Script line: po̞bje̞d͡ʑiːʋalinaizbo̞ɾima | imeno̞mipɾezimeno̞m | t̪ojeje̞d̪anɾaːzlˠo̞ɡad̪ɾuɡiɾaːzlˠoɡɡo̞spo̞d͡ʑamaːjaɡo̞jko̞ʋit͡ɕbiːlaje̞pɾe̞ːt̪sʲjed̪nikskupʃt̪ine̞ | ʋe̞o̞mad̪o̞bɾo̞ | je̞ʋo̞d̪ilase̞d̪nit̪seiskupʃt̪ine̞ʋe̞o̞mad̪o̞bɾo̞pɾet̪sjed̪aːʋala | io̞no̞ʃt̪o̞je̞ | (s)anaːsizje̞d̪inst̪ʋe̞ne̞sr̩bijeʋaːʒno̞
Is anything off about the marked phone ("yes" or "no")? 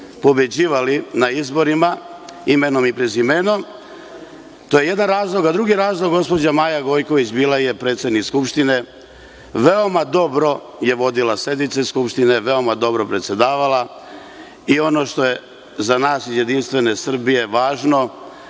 yes